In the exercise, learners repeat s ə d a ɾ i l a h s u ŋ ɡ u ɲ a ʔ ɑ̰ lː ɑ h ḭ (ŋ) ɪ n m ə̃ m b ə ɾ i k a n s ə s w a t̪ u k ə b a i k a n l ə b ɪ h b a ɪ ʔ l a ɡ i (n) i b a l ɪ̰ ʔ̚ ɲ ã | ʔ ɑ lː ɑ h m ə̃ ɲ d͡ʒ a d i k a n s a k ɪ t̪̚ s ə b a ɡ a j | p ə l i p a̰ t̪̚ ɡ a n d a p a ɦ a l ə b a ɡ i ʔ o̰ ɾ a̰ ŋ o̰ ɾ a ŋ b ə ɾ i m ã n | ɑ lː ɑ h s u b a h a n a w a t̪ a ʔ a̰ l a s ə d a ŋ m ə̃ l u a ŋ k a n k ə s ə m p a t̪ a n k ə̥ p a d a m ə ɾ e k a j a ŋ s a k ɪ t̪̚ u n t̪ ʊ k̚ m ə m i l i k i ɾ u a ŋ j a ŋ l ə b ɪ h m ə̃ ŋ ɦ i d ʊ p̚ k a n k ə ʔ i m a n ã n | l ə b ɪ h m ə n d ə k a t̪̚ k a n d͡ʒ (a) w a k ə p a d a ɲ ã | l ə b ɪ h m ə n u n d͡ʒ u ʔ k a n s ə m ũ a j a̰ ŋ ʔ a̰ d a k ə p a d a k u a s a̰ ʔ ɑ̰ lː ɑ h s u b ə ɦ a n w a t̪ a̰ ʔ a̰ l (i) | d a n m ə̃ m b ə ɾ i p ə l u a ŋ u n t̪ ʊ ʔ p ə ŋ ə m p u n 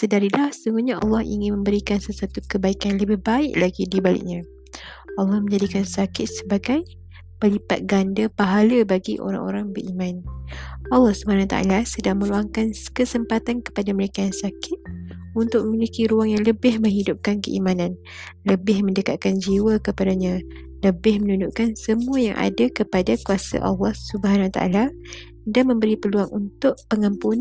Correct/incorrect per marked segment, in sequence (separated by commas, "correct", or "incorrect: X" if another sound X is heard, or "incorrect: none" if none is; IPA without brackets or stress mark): correct, incorrect: d, incorrect: i, incorrect: a